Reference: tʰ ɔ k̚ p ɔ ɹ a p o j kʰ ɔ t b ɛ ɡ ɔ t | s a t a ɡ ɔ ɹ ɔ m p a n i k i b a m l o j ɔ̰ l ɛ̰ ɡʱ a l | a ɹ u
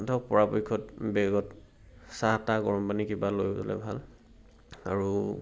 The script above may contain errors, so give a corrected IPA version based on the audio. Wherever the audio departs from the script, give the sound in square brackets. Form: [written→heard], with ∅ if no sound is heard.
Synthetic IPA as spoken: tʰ ɔ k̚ p ɔ ɹ a p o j kʰ ɔ t b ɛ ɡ ɔ t | s a t a ɡ ɔ ɹ ɔ m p a n i k i b a [m→∅] l o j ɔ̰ l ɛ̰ [ɡʱ→bʱ] a l | a ɹ u